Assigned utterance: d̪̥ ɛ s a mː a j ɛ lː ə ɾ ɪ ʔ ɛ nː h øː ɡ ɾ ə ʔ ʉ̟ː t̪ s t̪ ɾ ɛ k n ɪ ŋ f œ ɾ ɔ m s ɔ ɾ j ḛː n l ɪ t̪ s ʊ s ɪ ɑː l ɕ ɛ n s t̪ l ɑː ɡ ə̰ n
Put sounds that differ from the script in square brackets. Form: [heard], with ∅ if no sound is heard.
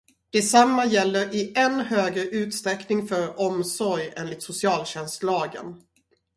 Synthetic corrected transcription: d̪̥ ɛ s a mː a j ɛ lː ə ɾ ɪ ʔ ɛ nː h øː ɡ ɾ ə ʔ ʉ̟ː t̪ s t̪ ɾ ɛ k n ɪ ŋ f œ ɾ ɔ m s ɔ ɾ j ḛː n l ɪ t̪ s ʊ s ɪ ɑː l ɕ ɛ n s t̪ l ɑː ɡ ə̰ n